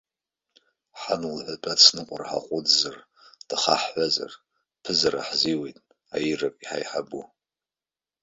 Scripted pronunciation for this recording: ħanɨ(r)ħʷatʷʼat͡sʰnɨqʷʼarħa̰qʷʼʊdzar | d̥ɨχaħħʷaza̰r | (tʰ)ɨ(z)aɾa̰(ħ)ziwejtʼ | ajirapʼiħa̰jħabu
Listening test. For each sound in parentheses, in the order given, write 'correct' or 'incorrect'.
incorrect, incorrect, correct, correct

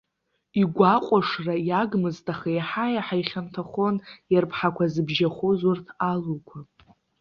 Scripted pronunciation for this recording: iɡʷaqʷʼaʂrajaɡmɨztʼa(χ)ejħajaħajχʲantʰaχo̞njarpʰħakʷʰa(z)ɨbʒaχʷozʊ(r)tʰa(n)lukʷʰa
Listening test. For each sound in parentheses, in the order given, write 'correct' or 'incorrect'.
correct, correct, correct, incorrect

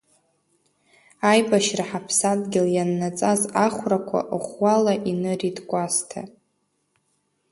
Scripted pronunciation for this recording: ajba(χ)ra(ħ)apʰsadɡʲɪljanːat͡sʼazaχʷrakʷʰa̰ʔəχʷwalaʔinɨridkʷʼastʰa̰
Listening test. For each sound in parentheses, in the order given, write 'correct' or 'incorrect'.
incorrect, correct

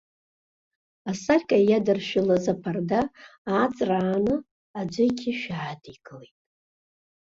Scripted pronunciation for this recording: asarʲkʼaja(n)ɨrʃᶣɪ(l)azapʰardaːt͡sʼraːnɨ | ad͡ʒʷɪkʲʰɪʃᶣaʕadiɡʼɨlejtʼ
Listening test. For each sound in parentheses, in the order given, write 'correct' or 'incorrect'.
incorrect, correct

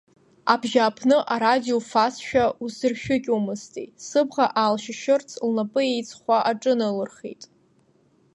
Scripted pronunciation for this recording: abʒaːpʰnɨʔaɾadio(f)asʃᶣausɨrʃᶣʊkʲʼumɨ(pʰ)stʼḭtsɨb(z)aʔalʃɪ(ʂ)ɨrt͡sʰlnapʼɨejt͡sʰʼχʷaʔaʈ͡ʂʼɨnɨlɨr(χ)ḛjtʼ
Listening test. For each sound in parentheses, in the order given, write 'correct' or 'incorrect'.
correct, incorrect, incorrect, incorrect, correct

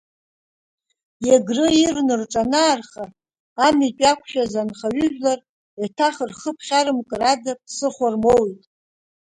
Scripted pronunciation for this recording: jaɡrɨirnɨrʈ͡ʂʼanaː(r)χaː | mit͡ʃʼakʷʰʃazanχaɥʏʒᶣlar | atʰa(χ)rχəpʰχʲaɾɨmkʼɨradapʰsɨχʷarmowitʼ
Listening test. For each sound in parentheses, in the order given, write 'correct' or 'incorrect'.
correct, correct

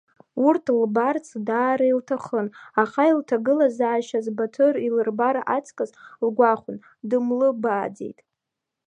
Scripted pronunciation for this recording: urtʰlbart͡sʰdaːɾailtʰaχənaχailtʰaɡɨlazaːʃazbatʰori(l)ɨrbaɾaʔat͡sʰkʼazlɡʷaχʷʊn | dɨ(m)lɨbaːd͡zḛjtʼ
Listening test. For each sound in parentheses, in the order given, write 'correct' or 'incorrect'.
correct, correct

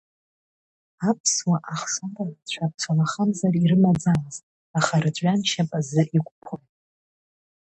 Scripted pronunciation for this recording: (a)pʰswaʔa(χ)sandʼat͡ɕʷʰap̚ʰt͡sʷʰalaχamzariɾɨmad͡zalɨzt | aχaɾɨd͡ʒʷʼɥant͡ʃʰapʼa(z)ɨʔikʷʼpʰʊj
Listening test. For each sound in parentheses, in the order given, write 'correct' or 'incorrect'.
correct, correct, correct

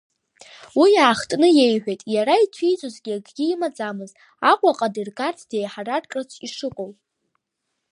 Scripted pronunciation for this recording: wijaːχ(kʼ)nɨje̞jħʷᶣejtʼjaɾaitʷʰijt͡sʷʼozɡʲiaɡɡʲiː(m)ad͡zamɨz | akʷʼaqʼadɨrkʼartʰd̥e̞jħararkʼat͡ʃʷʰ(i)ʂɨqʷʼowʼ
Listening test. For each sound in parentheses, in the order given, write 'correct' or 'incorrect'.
incorrect, correct, correct

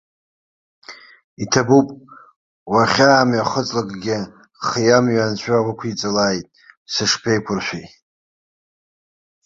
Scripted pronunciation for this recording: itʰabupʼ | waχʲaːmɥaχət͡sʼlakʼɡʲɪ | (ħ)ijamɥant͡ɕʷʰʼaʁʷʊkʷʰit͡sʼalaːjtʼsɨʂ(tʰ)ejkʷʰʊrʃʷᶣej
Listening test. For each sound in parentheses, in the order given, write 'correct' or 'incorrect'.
incorrect, incorrect

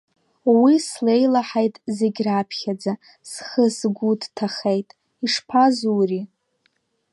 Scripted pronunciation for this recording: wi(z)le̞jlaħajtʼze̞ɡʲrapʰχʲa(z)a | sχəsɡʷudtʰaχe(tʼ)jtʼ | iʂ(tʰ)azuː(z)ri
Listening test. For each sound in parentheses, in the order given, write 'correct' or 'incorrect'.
incorrect, incorrect, incorrect, incorrect, incorrect

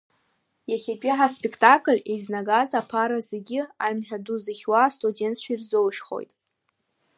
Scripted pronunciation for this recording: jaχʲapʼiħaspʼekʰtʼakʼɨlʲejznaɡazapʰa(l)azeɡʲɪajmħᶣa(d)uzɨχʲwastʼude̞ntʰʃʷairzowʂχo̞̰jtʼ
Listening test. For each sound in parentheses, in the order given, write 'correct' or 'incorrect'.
incorrect, correct

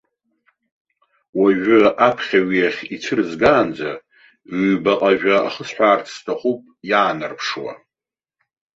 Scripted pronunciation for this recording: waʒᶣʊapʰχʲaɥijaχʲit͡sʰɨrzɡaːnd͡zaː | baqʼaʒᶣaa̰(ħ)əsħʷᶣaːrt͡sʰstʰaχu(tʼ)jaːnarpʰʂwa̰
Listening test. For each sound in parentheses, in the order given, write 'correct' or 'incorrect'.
incorrect, incorrect

